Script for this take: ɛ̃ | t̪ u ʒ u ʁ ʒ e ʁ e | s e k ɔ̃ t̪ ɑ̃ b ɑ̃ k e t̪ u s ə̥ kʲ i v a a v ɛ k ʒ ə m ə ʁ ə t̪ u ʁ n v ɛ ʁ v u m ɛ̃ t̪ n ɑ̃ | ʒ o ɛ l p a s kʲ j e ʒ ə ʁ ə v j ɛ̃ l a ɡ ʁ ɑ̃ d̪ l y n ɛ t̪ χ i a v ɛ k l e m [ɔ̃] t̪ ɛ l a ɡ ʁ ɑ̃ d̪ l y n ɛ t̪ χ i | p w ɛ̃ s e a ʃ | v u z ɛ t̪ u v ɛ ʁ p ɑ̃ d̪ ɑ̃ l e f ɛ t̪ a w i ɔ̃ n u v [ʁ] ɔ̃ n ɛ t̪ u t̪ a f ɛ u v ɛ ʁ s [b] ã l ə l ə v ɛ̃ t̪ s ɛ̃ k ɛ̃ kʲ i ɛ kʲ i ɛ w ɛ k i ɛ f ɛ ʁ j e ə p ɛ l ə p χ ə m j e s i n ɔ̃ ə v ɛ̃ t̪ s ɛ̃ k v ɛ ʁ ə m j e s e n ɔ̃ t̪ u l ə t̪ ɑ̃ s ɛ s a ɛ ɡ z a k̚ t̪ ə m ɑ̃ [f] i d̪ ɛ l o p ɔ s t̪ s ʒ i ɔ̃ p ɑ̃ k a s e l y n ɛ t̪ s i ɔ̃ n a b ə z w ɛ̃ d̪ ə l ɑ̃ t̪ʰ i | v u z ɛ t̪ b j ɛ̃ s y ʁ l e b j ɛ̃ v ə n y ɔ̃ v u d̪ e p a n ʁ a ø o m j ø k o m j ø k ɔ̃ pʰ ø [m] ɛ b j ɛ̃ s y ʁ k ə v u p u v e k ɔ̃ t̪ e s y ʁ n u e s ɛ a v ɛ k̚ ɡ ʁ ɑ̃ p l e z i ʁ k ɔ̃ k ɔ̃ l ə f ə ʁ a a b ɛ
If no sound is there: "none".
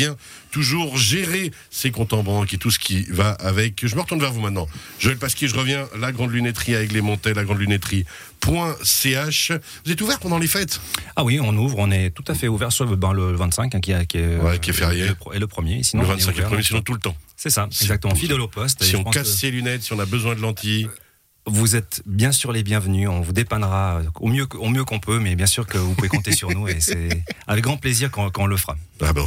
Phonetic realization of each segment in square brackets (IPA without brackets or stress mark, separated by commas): ɔ̃, ʁ, b, f, m